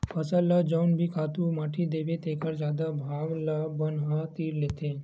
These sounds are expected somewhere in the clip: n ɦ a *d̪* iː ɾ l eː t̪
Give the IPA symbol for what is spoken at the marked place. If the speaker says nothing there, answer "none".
t̪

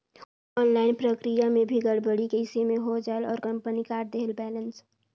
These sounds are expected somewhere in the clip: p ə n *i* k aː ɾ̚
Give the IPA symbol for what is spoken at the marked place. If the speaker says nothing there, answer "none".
i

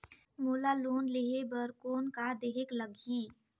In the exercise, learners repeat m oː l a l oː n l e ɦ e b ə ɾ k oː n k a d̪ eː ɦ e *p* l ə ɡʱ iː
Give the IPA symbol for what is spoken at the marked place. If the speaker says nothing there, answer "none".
k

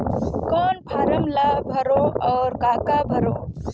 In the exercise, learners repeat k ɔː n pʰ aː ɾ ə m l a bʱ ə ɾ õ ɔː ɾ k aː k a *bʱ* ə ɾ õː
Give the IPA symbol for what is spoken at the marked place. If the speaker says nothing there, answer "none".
bʱ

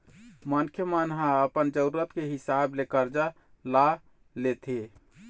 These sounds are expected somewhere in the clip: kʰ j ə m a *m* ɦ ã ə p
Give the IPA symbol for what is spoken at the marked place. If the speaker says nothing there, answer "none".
n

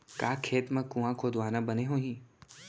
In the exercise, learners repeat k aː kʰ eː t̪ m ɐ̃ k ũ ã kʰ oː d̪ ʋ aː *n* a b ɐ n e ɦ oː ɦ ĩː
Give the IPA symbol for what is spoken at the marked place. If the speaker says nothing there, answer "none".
n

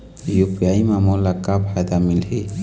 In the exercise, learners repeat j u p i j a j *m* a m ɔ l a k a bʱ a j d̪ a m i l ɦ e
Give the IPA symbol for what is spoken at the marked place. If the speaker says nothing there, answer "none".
m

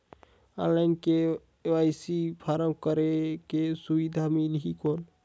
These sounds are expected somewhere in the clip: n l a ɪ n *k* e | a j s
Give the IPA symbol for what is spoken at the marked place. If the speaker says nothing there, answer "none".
k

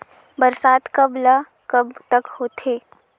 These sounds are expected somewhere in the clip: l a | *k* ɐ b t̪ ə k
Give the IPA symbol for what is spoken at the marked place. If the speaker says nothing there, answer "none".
k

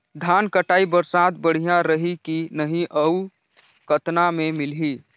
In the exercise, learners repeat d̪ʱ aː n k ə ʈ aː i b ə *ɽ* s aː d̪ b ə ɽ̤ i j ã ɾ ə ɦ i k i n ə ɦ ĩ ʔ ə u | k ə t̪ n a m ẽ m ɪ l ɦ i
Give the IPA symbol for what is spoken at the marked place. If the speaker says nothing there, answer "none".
ɾ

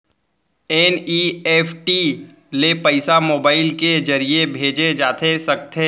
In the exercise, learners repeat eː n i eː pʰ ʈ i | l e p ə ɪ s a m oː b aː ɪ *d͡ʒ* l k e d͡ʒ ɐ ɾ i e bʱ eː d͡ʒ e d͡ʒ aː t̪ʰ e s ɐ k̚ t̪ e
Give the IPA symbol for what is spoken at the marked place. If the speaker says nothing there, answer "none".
none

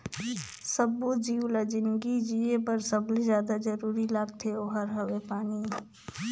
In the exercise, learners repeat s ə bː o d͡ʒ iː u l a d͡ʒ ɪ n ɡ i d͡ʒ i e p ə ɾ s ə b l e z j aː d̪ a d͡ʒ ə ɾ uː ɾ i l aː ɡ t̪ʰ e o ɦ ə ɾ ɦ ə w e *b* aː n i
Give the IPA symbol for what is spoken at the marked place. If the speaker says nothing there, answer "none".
p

